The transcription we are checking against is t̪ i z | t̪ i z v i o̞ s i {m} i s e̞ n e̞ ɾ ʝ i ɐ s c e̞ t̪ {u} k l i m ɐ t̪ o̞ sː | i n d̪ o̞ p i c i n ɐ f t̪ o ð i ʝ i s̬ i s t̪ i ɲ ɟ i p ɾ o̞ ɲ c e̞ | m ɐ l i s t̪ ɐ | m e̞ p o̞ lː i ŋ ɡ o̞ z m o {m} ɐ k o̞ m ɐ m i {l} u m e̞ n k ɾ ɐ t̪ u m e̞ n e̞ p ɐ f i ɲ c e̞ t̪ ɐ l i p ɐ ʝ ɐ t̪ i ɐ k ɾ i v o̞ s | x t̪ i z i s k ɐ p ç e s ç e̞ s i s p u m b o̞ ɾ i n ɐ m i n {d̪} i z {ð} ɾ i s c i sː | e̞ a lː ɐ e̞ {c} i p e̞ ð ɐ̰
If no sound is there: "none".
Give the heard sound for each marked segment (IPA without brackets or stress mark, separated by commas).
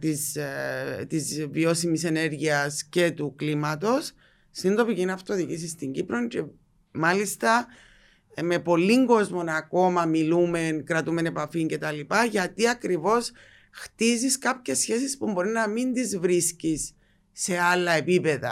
m, u, n, l, d̪, v, p